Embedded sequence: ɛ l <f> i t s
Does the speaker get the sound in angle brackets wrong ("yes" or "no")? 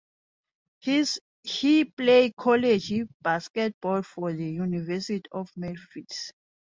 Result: no